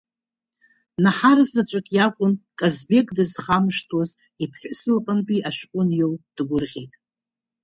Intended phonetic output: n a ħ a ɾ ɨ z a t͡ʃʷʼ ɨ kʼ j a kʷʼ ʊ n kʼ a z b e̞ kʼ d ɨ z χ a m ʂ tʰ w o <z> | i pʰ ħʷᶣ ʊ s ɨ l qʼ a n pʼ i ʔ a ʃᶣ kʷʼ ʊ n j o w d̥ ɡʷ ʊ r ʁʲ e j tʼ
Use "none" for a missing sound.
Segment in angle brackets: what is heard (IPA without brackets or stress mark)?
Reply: z